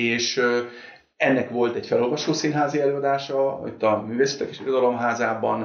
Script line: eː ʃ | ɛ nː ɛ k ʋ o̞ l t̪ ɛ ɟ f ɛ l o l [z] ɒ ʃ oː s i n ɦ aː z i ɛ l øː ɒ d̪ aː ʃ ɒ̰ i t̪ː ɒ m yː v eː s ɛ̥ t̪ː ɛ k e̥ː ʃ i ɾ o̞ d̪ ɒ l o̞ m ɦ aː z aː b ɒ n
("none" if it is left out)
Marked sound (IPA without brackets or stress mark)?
v